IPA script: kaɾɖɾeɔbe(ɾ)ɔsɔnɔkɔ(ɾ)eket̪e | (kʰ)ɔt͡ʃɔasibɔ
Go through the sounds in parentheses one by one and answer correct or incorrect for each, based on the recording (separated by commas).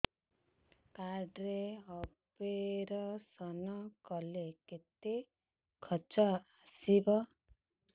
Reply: correct, incorrect, correct